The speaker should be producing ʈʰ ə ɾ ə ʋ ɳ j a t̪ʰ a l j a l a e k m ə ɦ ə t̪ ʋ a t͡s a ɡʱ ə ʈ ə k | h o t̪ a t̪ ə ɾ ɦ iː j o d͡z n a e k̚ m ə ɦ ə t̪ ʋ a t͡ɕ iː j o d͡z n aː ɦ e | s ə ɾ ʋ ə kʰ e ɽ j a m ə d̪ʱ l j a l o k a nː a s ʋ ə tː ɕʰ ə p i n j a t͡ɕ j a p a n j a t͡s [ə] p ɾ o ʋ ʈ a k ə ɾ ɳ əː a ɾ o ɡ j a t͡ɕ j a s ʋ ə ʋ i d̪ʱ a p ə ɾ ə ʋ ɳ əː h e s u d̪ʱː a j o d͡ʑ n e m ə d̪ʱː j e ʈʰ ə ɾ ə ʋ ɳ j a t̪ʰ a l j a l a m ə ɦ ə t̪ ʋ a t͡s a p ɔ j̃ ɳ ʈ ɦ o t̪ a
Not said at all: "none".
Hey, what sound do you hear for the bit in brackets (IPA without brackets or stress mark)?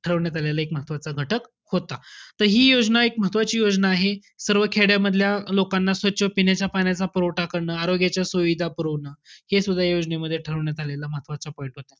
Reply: a